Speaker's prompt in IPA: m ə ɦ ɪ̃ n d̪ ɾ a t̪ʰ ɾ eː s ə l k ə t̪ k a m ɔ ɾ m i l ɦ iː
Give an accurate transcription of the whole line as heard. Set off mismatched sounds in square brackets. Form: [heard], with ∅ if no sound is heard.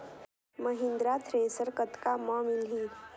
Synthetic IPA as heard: m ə ɦ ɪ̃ n d̪ ɾ a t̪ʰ ɾ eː s ə [ɾ] k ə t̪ k a m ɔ [∅] m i l ɦ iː